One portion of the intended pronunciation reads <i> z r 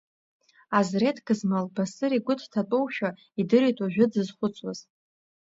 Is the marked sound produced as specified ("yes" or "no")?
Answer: no